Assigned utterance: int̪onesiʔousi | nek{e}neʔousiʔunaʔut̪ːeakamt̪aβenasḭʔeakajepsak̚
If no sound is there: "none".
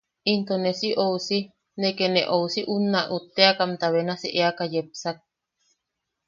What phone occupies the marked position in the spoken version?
e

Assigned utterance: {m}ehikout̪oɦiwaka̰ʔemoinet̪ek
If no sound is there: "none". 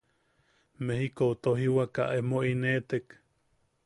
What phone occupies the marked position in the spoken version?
m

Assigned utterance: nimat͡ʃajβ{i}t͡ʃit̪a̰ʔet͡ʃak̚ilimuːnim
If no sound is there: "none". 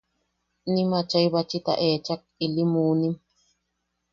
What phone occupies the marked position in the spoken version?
a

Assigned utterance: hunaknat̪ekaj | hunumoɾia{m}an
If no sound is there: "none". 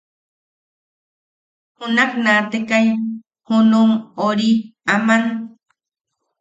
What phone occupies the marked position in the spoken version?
m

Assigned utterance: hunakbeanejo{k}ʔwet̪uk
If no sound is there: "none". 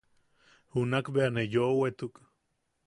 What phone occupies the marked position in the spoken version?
none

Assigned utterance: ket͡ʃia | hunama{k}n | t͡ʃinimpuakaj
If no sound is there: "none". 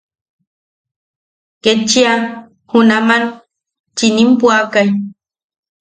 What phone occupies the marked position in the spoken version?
none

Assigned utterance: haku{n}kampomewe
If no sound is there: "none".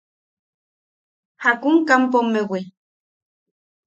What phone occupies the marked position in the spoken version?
ŋ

